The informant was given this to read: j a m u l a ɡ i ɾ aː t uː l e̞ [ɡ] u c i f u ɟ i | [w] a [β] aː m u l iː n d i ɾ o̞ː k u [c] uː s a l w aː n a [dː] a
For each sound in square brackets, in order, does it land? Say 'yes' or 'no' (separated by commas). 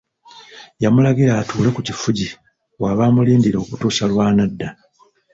no, yes, yes, no, yes